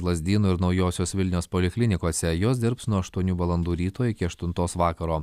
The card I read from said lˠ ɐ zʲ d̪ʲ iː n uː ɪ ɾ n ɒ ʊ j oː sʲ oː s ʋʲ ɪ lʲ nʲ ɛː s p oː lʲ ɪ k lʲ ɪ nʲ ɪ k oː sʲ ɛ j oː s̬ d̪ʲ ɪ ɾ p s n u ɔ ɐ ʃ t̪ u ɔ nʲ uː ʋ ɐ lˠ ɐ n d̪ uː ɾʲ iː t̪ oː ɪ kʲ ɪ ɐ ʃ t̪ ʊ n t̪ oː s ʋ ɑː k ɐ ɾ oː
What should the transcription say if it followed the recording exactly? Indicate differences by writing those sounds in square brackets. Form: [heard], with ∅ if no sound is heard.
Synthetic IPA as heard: lˠ ɐ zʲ d̪ʲ iː n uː ɪ ɾ n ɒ ʊ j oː sʲ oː s ʋʲ ɪ lʲ nʲ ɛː s p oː lʲ ɪ k lʲ ɪ nʲ ɪ k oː sʲ ɛ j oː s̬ d̪ʲ ɪ ɾ p s n u ɔ ɐ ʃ t̪ u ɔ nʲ uː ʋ ɐ lˠ ɐ n d̪ uː ɾʲ iː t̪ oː ɪ kʲ ɪ ɐ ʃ t̪ ʊ n t̪ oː s ʋ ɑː k ɐ ɾ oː